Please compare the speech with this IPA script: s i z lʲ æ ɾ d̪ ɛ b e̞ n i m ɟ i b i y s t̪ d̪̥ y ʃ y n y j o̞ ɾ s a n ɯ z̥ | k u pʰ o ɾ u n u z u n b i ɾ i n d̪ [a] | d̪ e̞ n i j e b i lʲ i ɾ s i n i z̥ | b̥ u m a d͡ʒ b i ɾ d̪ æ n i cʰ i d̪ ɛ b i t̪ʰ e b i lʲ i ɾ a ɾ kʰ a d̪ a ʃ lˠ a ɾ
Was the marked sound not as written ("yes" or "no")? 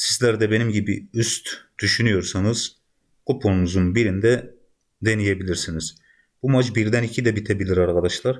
yes